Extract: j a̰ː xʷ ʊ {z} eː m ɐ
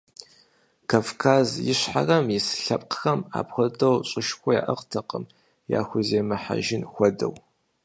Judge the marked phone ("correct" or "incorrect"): correct